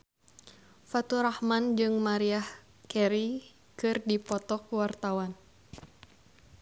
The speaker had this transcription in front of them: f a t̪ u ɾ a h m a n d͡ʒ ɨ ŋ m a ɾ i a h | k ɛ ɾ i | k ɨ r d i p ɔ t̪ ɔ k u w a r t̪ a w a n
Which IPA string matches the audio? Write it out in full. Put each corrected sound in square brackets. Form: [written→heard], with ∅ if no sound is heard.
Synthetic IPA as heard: f a t̪ u ɾ a h m a n d͡ʒ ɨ ŋ m a ɾ i a h | k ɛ ɾ i | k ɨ r d i p ɔ t̪ ɔ k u w a r t̪ a w a n